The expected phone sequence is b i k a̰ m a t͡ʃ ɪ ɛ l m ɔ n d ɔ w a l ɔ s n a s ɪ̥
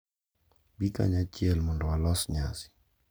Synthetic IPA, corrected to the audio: b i k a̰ ɲ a t͡ʃ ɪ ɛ l m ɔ n d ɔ w a l ɔ s ɲ a s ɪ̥